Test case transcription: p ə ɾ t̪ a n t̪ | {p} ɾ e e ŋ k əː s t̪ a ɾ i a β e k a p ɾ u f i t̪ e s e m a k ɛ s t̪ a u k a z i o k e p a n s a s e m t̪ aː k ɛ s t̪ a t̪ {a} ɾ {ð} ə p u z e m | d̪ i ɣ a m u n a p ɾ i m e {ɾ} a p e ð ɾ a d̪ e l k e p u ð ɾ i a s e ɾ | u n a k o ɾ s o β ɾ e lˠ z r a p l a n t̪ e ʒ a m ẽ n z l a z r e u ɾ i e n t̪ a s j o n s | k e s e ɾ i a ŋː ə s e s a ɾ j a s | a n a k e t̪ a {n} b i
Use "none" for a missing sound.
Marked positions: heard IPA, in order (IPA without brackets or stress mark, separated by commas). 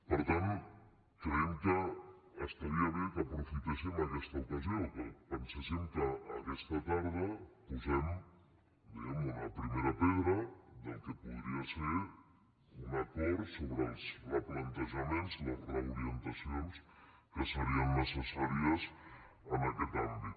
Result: k, a, ð, ɾ, m